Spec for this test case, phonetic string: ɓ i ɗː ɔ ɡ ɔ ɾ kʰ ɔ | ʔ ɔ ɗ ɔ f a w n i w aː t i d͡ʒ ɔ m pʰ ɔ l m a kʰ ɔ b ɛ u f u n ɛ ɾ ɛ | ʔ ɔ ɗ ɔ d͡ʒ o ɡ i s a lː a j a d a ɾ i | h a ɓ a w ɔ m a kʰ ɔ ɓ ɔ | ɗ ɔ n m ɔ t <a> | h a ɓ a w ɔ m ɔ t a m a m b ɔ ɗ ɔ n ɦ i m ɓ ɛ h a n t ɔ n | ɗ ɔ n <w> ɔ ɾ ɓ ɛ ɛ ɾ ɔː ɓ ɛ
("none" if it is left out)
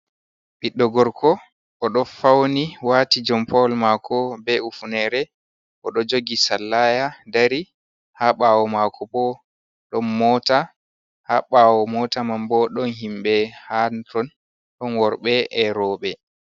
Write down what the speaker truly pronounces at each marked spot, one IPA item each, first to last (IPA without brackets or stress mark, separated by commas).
a, w